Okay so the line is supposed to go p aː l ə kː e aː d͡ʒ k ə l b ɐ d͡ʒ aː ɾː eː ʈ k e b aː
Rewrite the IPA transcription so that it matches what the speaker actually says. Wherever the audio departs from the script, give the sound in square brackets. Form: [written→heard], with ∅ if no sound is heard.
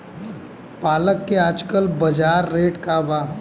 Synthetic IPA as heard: p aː l ə kː e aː d͡ʒ k ə l b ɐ d͡ʒ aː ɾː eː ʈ k [e→a] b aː